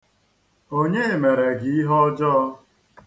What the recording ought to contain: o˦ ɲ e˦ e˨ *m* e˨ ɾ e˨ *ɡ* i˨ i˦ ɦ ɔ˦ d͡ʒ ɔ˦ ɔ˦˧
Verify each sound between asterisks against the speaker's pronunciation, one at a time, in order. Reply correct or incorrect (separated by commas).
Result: correct, correct